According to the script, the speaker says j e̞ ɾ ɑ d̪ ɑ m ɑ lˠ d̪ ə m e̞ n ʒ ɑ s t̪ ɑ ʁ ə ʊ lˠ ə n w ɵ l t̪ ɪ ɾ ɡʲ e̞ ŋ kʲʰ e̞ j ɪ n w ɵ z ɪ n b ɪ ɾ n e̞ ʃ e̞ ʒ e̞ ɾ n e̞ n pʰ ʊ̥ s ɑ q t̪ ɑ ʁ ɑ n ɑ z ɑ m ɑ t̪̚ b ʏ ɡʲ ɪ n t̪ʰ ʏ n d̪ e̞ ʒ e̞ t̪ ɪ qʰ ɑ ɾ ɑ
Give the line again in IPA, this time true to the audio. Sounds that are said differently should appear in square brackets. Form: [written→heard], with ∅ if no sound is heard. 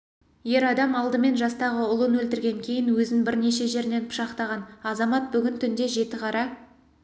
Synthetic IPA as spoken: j e̞ ɾ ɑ d̪ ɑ m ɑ lˠ d̪ ə m e̞ n ʒ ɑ s t̪ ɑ ʁ ə ʊ lˠ ə n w ɵ l t̪ ɪ ɾ ɡʲ e̞ ŋ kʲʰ e̞ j ɪ n w ɵ z ɪ n b ɪ ɾ n e̞ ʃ e̞ ʒ e̞ ɾ n e̞ n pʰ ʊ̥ [s→ʃ] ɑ q t̪ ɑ ʁ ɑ n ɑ z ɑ m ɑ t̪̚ b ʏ ɡʲ ɪ n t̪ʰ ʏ n d̪ e̞ ʒ e̞ t̪ ɪ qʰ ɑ ɾ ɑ